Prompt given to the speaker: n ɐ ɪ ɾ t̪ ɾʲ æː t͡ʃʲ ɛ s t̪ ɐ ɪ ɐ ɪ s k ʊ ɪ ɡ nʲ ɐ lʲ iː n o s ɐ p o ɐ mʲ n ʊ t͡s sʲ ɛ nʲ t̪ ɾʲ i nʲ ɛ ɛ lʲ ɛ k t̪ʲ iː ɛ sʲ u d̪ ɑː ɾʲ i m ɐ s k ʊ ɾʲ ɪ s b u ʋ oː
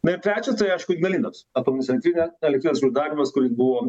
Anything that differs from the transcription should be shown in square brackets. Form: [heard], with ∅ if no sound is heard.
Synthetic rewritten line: n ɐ ɪ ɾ t̪ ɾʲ æː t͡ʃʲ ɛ s t̪ ɐ ɪ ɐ ɪ [ʃ] k ʊ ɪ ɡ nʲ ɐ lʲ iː n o s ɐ p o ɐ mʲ n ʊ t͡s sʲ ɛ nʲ t̪ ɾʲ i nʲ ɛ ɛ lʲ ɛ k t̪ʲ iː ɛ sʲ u d̪ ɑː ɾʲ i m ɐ s k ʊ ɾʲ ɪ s b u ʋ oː